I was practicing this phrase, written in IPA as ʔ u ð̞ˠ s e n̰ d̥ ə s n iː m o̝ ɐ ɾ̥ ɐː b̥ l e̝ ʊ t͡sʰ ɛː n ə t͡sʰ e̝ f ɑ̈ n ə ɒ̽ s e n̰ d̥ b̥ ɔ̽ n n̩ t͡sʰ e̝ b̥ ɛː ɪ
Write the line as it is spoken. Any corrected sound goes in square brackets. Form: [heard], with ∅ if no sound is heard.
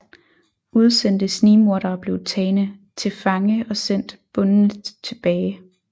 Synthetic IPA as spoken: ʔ u ð̞ˠ s e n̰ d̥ ə s n iː m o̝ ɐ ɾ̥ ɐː b̥ l e̝ ʊ t͡sʰ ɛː n ə t͡sʰ e̝ f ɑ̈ [ŋ] ə ɒ̽ s e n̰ d̥ b̥ ɔ̽ n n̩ t͡sʰ e̝ b̥ ɛː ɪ